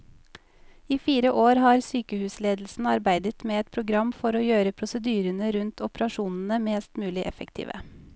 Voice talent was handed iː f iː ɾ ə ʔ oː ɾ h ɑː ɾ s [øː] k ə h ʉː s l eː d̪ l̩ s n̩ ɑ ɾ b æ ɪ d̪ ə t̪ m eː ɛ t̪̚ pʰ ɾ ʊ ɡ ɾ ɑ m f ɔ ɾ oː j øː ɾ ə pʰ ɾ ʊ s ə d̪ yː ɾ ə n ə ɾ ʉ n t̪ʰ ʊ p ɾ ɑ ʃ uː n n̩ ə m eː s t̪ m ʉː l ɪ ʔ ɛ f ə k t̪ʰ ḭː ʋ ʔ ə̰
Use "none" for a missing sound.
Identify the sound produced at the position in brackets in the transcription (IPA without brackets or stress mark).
yː